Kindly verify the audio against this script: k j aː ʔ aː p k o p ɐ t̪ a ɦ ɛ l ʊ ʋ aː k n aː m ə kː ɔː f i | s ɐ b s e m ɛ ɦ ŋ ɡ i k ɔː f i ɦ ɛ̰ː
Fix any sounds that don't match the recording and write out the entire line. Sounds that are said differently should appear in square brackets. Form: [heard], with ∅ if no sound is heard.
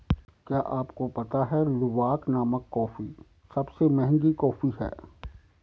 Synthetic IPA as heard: k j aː ʔ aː p k o p ɐ t̪ a ɦ ɛ l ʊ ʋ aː k n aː m ə kː ɔː f i | s ɐ b s e m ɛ ɦ ŋ ɡ i k ɔː f i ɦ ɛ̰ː

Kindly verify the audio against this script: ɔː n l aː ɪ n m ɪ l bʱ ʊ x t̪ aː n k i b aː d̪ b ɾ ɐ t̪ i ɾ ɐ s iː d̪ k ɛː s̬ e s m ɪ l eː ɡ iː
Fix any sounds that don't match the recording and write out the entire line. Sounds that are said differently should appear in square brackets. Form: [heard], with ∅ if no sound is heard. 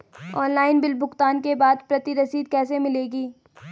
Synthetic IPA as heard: ɔː n l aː ɪ n [b] ɪ l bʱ ʊ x t̪ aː n k [e] b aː d̪ [p] ɾ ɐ t̪ i ɾ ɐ s iː d̪ k ɛː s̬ e [∅] m ɪ l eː ɡ iː

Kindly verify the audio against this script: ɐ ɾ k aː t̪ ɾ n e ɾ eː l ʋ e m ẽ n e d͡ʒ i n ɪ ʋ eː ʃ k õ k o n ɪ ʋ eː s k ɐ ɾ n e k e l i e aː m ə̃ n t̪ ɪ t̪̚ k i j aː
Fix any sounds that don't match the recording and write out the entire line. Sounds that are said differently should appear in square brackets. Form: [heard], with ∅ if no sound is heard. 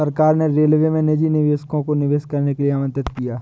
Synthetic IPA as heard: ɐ ɾ k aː [∅] ɾ n e ɾ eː l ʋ e m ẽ n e d͡ʒ i n ɪ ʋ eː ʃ k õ k o n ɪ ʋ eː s k ɐ ɾ n e k e l i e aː m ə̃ n t̪ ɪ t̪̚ k i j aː

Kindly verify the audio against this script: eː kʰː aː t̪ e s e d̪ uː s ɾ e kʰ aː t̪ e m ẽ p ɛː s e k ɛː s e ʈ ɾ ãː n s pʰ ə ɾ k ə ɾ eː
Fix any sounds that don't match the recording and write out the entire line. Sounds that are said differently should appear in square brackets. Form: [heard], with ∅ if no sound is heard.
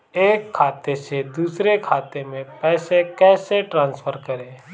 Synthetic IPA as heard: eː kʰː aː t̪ e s e d̪ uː s ɾ e kʰ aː t̪ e m ẽ p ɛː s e k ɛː s e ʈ ɾ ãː n s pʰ ə ɾ k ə ɾ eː

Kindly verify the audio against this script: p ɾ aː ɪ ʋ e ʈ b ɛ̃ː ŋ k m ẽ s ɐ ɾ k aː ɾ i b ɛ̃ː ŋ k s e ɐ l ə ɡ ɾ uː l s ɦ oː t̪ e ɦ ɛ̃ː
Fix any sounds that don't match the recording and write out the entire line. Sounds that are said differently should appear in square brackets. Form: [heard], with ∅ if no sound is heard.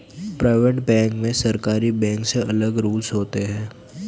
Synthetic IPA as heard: p ɾ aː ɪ ʋ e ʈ b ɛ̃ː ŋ k m ẽ s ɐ ɾ k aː ɾ i b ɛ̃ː ŋ k s e ɐ l ə ɡ ɾ uː l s ɦ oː t̪ e ɦ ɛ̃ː

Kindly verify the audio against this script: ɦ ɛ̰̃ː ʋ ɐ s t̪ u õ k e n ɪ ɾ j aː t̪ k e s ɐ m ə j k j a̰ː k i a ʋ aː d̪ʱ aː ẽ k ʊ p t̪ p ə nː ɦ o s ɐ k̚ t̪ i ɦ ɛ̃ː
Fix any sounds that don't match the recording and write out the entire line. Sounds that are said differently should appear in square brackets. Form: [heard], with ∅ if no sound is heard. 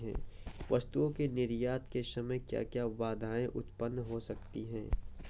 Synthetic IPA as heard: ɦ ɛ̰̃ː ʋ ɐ s t̪ u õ k e n ɪ ɾ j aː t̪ k e s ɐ m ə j k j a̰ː k [j] a ʋ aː d̪ʱ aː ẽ [ʔ] ʊ [∅] t̪ p ə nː ɦ o s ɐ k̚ t̪ i ɦ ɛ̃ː

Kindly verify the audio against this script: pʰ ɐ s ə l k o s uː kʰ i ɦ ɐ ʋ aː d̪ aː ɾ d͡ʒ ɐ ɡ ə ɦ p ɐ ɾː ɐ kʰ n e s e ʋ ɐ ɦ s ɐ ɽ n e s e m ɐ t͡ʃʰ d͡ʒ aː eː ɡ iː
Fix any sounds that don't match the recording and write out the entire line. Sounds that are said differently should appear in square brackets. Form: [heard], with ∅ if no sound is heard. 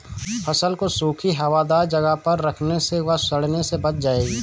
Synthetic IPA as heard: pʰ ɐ s ə l k o s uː kʰ i ɦ ɐ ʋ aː d̪ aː ɾ d͡ʒ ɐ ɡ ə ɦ p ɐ ɾː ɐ kʰ n e s e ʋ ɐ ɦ s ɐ ɽ n e s e [b] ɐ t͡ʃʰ d͡ʒ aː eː ɡ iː

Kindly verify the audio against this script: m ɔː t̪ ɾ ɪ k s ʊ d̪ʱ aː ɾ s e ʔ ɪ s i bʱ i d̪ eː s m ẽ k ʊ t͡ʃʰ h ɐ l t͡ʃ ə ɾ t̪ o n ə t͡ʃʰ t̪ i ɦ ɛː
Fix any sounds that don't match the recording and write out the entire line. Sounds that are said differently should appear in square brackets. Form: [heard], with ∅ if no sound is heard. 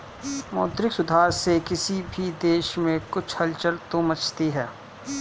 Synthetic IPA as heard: m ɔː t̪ ɾ ɪ k s ʊ d̪ʱ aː ɾ s e [k] ɪ s i bʱ i d̪ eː [ʃ] m ẽ k ʊ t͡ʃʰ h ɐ l t͡ʃ ə ɾ t̪ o [m] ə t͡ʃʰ t̪ i ɦ ɛː

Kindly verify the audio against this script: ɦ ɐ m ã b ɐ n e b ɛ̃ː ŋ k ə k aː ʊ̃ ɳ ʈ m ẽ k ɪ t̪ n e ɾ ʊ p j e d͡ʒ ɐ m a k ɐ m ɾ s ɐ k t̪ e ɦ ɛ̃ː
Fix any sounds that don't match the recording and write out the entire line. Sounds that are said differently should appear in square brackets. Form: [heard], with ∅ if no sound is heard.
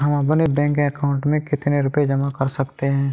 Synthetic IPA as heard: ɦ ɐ m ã b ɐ n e b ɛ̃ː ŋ k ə k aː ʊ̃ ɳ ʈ m ẽ k ɪ t̪ n e ɾ ʊ p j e d͡ʒ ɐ m a k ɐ [∅] ɾ s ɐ k t̪ e ɦ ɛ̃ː

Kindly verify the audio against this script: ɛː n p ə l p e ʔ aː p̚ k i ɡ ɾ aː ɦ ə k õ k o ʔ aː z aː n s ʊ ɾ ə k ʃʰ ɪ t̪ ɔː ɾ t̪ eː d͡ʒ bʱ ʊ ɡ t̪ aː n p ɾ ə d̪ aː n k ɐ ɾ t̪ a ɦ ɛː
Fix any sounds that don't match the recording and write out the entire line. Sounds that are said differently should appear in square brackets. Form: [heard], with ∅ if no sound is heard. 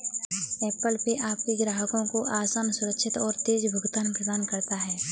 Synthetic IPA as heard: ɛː [∅] p ə l p e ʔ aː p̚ k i ɡ ɾ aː ɦ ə k õ k o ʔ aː [s] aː n s ʊ ɾ ə k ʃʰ ɪ t̪ ɔː ɾ t̪ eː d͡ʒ bʱ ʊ ɡ t̪ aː n p ɾ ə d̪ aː n k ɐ ɾ t̪ a ɦ ɛː

